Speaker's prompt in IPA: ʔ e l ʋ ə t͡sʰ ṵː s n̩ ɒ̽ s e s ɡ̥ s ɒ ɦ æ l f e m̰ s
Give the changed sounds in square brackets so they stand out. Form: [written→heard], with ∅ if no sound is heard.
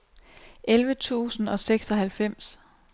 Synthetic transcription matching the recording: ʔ e l ʋ ə t͡sʰ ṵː s n̩ ɒ̽ s e [s→∅] ɡ̥ s ɒ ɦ æ l f e m̰ s